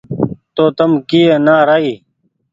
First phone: t̪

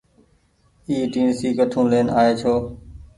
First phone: iː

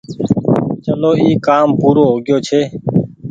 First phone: t͡ʃ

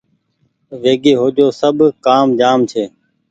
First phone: ʋ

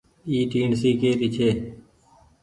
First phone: iː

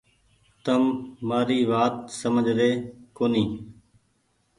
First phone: t̪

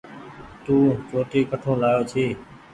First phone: t̪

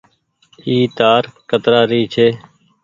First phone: iː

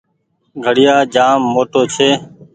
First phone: ɡʱ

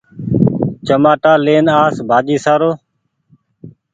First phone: t͡ʃ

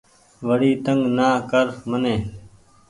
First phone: ʋ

